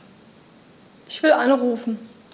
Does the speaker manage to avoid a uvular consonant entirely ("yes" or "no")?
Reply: no